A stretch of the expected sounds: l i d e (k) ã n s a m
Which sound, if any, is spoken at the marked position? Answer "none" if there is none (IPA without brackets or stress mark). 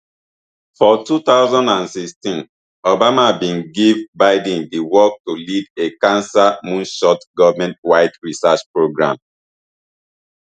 k